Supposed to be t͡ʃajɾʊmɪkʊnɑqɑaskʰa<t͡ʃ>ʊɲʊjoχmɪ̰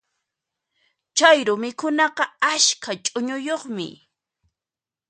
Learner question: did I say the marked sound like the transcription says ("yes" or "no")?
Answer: no